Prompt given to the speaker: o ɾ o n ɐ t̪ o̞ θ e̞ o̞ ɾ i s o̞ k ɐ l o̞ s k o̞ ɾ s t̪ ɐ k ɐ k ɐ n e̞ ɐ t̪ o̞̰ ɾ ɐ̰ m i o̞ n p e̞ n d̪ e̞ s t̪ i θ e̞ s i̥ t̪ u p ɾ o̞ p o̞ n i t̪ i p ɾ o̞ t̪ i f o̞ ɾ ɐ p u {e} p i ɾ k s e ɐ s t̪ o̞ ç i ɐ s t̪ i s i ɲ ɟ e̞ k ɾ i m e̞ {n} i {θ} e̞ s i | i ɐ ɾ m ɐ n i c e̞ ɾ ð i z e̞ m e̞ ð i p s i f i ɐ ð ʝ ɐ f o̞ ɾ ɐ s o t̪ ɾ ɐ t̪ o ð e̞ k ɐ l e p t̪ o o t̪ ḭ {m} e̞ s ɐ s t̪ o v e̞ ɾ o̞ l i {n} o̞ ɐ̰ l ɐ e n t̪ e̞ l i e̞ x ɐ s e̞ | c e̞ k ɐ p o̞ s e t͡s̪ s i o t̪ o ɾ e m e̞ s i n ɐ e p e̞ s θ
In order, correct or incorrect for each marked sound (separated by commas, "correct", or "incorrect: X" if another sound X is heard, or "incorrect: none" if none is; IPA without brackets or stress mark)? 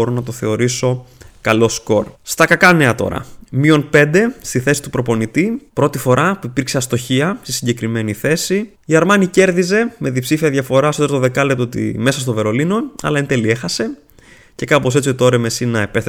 incorrect: i, correct, correct, correct, correct